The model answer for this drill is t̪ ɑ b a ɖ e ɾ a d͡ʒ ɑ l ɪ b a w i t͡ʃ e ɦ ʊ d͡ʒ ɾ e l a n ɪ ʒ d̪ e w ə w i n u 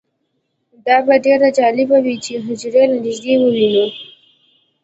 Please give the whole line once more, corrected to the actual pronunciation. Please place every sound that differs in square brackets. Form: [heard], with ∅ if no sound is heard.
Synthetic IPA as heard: [d̪] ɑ b a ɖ e ɾ a d͡ʒ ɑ l ɪ b a w i t͡ʃ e ɦ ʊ d͡ʒ ɾ e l a n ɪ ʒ d̪ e w ə w i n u